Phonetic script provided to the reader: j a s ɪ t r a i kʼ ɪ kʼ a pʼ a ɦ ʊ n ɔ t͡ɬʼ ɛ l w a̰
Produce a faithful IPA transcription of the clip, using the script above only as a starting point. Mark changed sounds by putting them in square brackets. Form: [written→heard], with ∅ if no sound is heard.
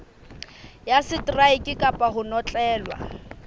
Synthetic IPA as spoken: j a s ɪ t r a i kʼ ɪ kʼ a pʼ a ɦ ʊ n ɔ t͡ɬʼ [ɛ→ɛː] l w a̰